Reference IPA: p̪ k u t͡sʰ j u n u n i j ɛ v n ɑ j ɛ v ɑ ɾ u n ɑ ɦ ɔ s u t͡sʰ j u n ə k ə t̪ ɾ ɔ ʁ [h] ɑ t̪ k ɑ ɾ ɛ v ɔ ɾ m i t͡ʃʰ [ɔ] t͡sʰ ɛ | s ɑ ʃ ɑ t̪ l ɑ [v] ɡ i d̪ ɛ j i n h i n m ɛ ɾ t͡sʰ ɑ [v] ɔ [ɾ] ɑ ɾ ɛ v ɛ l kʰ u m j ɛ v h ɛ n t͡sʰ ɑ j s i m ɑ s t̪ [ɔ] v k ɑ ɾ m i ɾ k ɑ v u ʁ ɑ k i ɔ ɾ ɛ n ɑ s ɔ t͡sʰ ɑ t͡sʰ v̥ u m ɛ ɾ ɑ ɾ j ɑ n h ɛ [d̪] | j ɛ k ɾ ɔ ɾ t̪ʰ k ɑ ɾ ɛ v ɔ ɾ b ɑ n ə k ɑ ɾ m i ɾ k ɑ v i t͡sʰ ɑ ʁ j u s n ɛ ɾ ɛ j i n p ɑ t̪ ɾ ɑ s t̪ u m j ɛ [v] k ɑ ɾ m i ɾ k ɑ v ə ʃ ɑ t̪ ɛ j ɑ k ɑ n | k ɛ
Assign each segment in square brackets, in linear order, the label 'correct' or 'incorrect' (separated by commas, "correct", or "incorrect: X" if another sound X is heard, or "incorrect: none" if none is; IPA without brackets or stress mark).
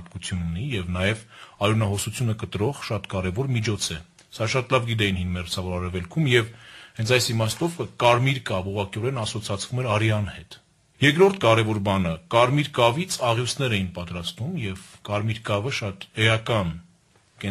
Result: incorrect: ʃ, correct, correct, correct, correct, correct, incorrect: t̪, correct